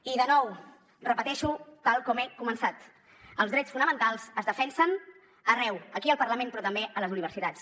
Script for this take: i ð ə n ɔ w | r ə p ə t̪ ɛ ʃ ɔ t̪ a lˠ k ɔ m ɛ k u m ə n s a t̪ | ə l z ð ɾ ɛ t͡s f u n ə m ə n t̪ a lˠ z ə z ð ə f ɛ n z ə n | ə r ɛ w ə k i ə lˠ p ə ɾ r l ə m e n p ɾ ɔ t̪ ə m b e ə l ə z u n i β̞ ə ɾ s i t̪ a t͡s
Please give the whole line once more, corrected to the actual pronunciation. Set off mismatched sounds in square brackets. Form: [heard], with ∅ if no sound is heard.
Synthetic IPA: i ð ə n ɔ w | r ə p ə t̪ ɛ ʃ [u] t̪ a lˠ k ɔ m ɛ k u m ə n s a t̪ | ə l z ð ɾ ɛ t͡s f u n ə m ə n t̪ a lˠ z ə z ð ə f ɛ n [s] ə n | ə r ɛ w ə k i ə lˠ p ə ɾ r l ə m e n p ɾ ɔ t̪ ə m b e ə l ə z u n i β̞ ə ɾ s i t̪ a t͡s